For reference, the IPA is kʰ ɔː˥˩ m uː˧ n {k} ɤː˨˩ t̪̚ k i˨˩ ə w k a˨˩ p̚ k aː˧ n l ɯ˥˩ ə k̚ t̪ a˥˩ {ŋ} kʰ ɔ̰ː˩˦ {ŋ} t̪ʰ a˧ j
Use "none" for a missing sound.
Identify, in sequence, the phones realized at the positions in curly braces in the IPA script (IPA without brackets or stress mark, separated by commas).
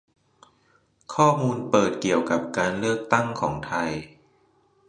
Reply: p, ŋ, ŋ